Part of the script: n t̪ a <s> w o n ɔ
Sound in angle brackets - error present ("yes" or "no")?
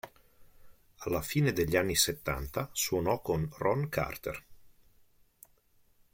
no